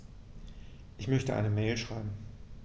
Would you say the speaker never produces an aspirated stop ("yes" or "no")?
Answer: yes